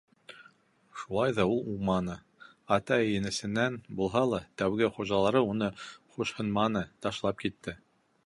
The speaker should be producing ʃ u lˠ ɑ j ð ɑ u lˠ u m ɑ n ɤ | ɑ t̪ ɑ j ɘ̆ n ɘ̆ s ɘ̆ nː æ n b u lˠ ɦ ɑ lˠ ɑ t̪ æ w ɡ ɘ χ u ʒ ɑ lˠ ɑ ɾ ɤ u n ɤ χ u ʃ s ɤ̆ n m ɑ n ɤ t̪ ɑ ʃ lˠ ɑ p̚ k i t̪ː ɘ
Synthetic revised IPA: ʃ u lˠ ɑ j ð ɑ u lˠ u m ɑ n ɤ | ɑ t̪ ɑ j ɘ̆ n ɘ̆ s ɘ̆ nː æ n b u lˠ ɦ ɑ lˠ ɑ t̪ æ w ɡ ɘ χ u ʒ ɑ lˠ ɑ ɾ ɤ u n ɤ χ u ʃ h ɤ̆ n m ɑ n ɤ t̪ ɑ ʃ lˠ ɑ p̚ k i t̪ː ɘ